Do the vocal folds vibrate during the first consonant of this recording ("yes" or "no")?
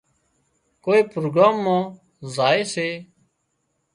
no